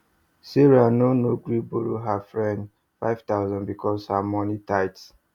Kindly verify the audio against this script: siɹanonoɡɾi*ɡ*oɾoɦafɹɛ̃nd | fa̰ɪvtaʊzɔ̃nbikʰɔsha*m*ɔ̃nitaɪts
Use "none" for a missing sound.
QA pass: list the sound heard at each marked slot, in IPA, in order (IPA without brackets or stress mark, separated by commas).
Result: b, m